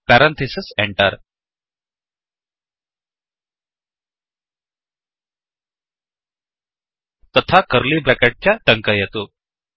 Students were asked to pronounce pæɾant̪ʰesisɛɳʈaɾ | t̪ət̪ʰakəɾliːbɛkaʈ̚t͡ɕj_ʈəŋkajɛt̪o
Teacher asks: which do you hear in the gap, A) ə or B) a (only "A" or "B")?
B